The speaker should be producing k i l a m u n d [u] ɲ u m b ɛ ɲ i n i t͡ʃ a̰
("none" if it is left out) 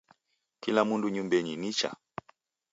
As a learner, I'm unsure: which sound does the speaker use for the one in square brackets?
u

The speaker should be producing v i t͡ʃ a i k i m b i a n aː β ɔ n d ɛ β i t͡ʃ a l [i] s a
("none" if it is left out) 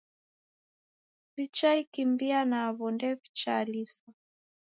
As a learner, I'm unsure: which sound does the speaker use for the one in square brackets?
i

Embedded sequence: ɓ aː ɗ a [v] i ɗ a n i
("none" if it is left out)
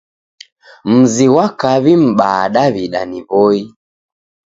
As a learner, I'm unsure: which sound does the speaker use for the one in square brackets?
β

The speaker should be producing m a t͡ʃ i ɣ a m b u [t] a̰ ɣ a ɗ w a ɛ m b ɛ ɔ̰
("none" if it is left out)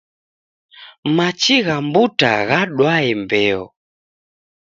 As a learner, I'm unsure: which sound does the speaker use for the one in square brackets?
t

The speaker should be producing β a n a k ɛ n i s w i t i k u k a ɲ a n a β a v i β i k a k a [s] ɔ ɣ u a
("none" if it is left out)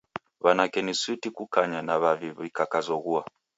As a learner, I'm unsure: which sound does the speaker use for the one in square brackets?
z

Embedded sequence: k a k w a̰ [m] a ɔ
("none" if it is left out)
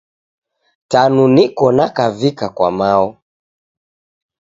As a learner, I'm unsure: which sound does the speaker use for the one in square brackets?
m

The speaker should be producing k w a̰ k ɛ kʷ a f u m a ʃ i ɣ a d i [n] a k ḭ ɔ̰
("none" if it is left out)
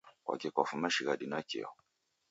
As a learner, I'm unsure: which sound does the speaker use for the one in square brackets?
n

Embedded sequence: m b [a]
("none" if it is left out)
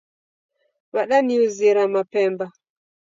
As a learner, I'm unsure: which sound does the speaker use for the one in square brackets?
a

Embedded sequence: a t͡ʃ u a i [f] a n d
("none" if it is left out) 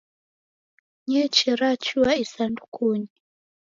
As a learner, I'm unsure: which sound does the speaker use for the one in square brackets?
s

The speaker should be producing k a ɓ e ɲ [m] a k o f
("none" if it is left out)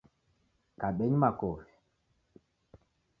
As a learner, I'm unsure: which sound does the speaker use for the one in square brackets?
m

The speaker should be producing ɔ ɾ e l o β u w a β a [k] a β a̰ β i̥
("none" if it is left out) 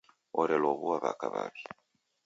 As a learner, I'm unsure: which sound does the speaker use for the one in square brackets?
k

